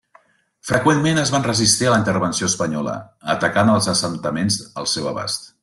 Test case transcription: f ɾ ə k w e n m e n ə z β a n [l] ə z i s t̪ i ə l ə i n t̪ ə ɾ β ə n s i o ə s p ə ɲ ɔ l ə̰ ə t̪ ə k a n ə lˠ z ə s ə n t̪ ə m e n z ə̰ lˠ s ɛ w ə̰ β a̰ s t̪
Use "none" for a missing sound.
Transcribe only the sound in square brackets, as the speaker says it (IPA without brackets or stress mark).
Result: r